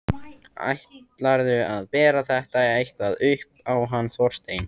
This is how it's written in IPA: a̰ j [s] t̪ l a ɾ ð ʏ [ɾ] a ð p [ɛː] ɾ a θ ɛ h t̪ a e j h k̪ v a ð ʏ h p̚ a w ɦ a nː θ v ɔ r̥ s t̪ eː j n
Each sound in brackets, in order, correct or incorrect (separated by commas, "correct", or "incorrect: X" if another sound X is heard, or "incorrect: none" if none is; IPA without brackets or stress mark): incorrect: h, incorrect: none, correct